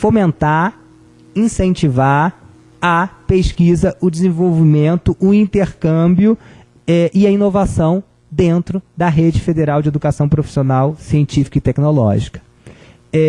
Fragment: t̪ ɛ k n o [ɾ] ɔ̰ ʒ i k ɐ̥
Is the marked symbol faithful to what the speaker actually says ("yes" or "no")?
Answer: no